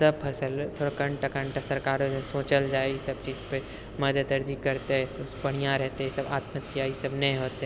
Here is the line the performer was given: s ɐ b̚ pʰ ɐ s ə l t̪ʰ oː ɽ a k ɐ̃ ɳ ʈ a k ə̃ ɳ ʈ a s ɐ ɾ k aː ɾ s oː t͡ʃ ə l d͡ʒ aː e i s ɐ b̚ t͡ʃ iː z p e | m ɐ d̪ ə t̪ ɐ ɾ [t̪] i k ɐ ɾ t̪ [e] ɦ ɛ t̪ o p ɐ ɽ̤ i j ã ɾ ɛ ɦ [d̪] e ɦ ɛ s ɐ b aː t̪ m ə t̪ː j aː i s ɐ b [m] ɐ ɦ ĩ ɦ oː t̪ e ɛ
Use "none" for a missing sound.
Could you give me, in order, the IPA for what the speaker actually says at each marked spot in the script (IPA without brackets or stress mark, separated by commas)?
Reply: d̪, e, t̪, n